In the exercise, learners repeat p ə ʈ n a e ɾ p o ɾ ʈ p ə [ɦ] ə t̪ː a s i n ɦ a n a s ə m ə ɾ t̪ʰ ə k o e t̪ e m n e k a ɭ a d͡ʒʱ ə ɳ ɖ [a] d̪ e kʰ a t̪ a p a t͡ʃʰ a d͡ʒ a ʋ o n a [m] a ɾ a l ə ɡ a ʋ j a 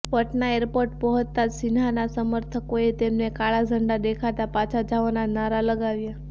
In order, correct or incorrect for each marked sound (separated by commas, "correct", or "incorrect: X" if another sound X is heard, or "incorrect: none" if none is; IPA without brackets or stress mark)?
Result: correct, correct, incorrect: n